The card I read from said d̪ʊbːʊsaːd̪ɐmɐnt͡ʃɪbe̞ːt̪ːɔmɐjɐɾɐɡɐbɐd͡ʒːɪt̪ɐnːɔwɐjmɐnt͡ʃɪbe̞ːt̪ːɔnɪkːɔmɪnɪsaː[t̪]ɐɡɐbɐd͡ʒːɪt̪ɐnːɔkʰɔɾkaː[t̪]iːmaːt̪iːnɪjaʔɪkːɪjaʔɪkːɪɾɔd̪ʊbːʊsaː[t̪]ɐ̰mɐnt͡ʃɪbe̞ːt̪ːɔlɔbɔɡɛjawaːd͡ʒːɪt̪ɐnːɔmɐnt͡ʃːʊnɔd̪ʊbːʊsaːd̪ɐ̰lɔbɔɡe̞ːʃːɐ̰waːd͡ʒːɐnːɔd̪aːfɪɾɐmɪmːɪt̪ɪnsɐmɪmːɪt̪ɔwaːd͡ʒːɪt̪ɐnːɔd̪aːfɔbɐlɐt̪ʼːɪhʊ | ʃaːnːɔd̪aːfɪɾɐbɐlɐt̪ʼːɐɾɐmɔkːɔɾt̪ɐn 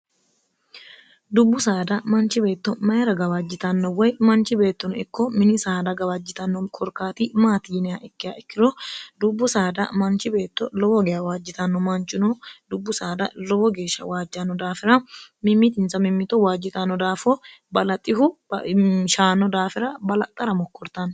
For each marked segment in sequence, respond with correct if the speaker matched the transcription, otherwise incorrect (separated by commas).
incorrect, correct, incorrect